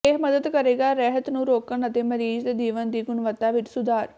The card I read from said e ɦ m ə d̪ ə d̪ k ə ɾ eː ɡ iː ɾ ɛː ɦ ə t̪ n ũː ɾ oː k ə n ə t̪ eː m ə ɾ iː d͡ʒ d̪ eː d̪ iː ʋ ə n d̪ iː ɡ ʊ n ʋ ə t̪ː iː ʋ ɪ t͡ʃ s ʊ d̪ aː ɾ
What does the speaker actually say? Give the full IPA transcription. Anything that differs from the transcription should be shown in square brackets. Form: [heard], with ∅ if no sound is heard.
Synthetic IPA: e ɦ m ə d̪ ə d̪ k ə ɾ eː ɡ [aː] ɾ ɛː ɦ ə t̪ n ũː ɾ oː k ə n ə t̪ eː m ə ɾ iː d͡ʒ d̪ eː d̪ iː ʋ ə n d̪ iː ɡ ʊ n ʋ ə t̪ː [aː] ʋ ɪ t͡ʃ s ʊ d̪ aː ɾ

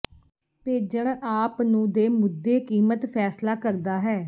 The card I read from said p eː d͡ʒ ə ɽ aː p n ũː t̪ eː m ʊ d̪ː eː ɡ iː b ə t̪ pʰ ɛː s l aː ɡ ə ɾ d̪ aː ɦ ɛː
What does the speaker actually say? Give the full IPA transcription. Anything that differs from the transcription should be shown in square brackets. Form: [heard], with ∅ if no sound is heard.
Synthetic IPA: p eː d͡ʒ ə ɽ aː p n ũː [d̪] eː m ʊ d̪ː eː [k] iː [m] ə t̪ pʰ ɛː s l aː [k] ə ɾ d̪ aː ɦ ɛː

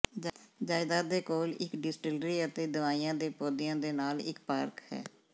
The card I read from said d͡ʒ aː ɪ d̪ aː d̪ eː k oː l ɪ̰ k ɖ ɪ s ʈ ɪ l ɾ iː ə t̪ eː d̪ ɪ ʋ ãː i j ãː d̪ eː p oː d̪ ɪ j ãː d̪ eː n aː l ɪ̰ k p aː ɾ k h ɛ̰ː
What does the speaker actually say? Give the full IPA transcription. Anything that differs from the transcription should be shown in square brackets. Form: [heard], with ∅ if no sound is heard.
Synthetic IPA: d͡ʒ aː ɪ d̪ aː d̪ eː k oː l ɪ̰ k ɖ ɪ s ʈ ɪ l ɾ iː ə t̪ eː d̪ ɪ ʋ [aː] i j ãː d̪ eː p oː d̪ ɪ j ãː d̪ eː n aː l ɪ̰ k p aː ɾ k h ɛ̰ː

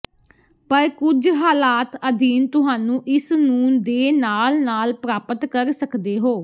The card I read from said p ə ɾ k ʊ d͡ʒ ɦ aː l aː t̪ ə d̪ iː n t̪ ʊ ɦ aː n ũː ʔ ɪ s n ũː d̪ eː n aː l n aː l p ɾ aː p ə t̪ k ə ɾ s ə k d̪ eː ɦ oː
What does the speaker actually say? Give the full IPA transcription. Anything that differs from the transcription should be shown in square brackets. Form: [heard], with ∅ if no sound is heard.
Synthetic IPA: p ə ɾ k ʊ d͡ʒ ɦ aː l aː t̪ ə d̪ iː n t̪ ʊ ɦ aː n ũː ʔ ɪ s n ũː d̪ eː n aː l n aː l p ɾ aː p ə t̪ k ə ɾ s ə k d̪ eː ɦ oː

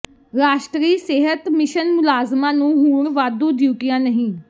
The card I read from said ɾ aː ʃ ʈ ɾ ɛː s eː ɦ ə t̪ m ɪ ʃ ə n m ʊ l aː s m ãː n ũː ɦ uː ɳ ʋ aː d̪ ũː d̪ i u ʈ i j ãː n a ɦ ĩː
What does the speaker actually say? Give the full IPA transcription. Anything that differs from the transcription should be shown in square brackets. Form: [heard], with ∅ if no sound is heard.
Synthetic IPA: ɾ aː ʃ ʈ ɾ [iː] s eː ɦ ə t̪ m ɪ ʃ ə n m ʊ l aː [z] m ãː n ũː ɦ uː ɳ ʋ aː d̪ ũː d̪ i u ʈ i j ãː n [ə] ɦ ĩː

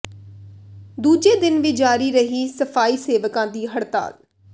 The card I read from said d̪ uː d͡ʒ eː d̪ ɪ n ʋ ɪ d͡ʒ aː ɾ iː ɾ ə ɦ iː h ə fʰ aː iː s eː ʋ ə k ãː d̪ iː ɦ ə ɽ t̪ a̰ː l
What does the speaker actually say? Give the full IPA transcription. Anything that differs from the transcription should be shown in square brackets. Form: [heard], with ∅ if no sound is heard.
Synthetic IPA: d̪ uː d͡ʒ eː d̪ ɪ n ʋ ɪ d͡ʒ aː ɾ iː ɾ ə ɦ iː [s] ə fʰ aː iː s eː ʋ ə k ãː d̪ iː ɦ ə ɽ t̪ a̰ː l

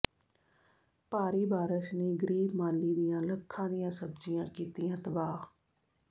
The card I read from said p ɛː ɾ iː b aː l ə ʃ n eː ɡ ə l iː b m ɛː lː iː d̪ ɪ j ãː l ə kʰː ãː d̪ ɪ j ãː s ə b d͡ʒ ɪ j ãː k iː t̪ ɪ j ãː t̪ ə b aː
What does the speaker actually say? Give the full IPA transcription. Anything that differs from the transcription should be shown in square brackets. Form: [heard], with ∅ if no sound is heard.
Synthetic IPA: p [aː] ɾ iː b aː [ɾ] ə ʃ n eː ɡ ə [ɾ] iː b m [aː] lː iː d̪ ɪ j ãː l ə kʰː ãː d̪ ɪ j ãː s ə b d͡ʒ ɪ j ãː k iː t̪ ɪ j ãː t̪ ə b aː

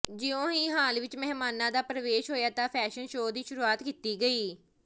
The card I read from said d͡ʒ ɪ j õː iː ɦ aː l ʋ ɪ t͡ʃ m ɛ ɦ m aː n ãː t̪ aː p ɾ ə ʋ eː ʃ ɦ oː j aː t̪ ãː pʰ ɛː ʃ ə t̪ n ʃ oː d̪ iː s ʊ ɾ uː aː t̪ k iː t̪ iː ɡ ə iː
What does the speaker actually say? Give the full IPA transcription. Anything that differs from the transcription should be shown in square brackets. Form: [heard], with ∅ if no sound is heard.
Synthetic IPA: d͡ʒ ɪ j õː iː ɦ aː l ʋ ɪ t͡ʃ m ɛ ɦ m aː n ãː [d̪] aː p ɾ ə ʋ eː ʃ ɦ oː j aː t̪ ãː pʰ ɛː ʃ ə [∅] n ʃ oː d̪ iː [ʃ] ʊ ɾ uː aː t̪ k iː t̪ iː ɡ ə iː

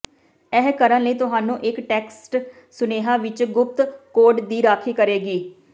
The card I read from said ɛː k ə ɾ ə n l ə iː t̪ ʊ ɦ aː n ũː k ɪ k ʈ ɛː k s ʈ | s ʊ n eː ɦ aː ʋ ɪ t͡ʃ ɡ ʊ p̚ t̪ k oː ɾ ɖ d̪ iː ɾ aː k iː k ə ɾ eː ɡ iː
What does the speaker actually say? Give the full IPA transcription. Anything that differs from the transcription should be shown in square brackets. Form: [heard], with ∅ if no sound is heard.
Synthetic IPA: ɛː k ə ɾ ə n l ə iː t̪ ʊ ɦ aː n ũː [ʔ] ɪ k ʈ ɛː k s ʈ | s ʊ n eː ɦ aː ʋ ɪ t͡ʃ ɡ ʊ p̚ t̪ k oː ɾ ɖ d̪ iː ɾ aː [kʰ] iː k ə ɾ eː ɡ iː

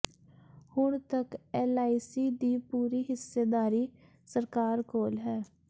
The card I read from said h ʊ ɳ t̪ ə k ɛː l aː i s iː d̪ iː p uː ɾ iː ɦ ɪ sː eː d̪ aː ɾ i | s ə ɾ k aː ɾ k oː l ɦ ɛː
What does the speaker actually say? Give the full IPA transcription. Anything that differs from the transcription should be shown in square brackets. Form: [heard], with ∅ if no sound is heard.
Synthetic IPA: h ʊ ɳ t̪ ə k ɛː l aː i s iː d̪ iː p uː ɾ iː ɦ ɪ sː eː d̪ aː ɾ [iː] | s ə ɾ k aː ɾ k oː l ɦ ɛː

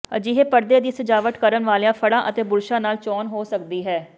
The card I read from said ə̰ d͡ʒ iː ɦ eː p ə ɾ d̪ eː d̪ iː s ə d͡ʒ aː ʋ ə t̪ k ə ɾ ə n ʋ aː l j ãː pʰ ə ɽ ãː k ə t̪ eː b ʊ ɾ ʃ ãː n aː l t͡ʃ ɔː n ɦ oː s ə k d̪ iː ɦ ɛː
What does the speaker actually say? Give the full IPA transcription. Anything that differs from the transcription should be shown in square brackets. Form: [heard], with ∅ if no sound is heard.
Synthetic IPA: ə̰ d͡ʒ iː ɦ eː p ə ɾ d̪ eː d̪ iː s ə d͡ʒ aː ʋ ə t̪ k ə ɾ ə n ʋ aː l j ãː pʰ ə ɽ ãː [ʔ] ə t̪ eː b ʊ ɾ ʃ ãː n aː l t͡ʃ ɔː n ɦ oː s ə k d̪ iː ɦ ɛː

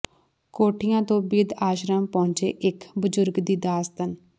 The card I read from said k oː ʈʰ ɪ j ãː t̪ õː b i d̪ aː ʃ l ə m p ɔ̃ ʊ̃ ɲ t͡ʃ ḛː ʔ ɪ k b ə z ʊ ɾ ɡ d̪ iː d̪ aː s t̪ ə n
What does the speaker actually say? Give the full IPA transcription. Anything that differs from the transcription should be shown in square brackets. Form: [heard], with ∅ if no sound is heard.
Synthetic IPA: k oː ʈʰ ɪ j ãː t̪ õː b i d̪ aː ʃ [ɾ] ə m p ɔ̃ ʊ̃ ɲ t͡ʃ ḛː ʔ ɪ k b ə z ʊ ɾ ɡ d̪ iː d̪ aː s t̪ ə n

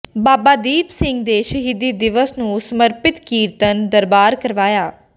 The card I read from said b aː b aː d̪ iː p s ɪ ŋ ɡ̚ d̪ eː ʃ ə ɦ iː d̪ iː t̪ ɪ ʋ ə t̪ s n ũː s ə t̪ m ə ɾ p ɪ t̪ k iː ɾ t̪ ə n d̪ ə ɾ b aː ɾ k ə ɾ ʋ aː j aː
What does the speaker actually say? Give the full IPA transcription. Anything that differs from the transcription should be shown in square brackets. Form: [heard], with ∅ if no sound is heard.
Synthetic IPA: b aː b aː d̪ iː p s ɪ ŋ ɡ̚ d̪ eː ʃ ə ɦ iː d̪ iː [d̪] ɪ ʋ ə [∅] s n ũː s ə [∅] m ə ɾ p ɪ t̪ k iː ɾ t̪ ə n d̪ ə ɾ b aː ɾ k ə ɾ ʋ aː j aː

